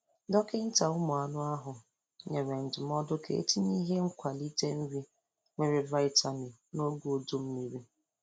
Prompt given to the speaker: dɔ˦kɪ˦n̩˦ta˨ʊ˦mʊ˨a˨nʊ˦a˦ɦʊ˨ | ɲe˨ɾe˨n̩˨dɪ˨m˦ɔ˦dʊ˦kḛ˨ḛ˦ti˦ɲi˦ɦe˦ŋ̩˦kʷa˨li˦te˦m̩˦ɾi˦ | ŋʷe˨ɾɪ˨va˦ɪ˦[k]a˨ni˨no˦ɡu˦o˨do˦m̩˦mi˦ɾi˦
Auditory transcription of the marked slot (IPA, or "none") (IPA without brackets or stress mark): t